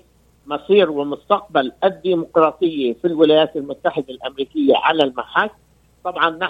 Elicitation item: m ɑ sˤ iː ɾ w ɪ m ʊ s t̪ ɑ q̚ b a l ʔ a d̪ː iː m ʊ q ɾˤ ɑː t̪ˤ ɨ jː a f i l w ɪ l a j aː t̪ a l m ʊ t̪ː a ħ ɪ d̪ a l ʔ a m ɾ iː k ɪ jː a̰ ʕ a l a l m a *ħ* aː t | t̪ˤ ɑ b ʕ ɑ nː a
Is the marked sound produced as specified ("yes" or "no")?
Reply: yes